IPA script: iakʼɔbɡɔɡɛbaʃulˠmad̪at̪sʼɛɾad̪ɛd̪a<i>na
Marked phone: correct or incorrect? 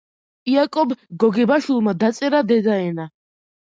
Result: incorrect